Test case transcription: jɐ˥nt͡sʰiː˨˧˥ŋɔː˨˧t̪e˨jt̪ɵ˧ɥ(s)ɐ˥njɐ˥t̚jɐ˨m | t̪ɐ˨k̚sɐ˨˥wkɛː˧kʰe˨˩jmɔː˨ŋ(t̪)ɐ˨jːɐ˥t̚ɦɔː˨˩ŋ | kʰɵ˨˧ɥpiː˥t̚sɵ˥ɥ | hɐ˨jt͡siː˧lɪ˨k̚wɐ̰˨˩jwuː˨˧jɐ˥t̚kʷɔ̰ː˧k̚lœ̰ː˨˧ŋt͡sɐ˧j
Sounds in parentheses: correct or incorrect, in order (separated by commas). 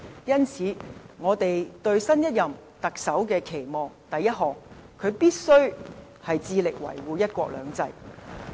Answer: correct, correct